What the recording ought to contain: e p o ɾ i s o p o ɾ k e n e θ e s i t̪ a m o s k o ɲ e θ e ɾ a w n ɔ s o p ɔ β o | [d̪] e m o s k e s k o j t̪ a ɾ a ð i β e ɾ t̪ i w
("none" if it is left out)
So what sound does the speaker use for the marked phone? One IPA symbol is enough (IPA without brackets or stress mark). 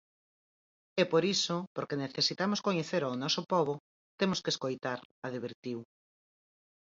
t̪